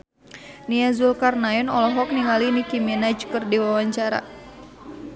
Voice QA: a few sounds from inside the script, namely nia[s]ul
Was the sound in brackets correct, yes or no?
no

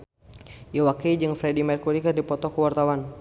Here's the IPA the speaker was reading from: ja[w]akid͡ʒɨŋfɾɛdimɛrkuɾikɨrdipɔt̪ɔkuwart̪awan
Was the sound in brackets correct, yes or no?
yes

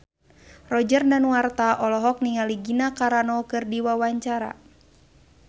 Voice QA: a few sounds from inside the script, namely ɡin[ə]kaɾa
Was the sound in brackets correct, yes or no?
no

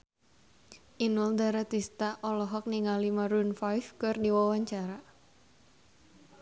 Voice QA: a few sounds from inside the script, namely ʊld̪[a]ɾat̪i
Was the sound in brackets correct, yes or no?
yes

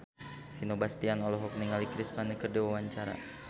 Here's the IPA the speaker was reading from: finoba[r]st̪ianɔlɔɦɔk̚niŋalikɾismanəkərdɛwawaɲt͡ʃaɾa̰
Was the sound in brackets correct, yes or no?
no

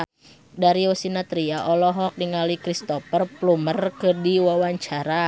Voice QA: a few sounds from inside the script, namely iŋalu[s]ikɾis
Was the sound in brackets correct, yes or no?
no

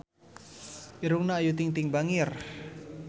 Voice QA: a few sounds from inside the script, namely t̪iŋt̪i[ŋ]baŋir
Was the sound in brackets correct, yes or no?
yes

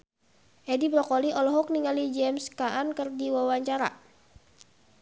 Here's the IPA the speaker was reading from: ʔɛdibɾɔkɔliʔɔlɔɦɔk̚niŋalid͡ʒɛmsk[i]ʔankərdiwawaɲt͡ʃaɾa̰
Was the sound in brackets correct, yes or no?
no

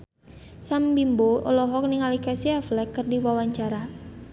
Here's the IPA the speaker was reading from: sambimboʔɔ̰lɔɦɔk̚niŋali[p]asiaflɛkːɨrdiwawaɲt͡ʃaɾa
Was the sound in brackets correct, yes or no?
no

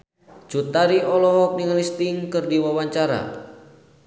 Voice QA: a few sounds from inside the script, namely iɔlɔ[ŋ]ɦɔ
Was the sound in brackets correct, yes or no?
no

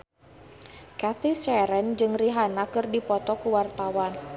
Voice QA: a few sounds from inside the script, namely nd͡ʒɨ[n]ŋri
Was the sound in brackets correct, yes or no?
no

